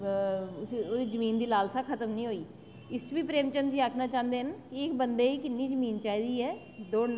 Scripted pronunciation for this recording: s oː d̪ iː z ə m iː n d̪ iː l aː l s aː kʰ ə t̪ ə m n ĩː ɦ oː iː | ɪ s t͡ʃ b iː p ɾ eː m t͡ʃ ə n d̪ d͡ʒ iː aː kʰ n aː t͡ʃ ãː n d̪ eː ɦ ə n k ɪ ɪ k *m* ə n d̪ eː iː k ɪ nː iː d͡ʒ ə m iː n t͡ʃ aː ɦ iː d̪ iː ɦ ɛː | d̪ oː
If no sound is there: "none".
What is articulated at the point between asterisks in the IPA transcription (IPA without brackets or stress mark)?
b